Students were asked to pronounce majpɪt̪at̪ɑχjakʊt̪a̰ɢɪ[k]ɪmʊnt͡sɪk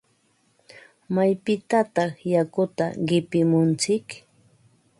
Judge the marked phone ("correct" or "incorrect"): incorrect